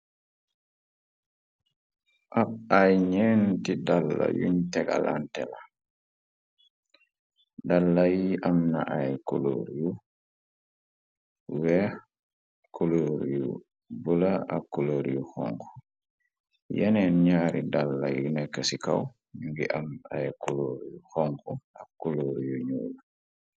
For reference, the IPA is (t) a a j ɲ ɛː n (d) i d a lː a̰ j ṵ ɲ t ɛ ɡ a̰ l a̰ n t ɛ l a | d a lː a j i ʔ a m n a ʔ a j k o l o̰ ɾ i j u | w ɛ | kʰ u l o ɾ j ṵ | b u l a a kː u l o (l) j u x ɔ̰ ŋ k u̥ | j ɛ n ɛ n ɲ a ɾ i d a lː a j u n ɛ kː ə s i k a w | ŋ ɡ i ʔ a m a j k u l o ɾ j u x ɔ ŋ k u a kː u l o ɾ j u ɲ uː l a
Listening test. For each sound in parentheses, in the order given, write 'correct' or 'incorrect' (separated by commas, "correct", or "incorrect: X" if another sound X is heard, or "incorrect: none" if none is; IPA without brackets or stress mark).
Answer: incorrect: ʔ, incorrect: t, incorrect: ɾ